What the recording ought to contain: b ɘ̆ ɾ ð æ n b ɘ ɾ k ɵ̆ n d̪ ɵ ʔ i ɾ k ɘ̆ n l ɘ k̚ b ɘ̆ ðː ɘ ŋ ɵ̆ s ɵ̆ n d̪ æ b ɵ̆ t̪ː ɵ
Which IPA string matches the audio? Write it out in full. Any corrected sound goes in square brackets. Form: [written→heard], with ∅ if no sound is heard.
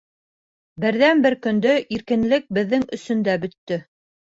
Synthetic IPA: b ɘ̆ ɾ ð æ n b ɘ ɾ k ɵ̆ n d̪ ɵ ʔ i ɾ k ɘ̆ n l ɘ k̚ b ɘ̆ ðː ɘ ŋ ɵ̆ s ɵ̆ n d̪ æ b ɵ̆ t̪ː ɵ